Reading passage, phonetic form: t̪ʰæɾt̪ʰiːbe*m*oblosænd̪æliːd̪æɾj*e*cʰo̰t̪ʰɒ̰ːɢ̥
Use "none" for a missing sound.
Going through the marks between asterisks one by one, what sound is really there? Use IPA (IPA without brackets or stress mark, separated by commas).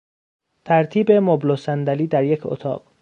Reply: m, e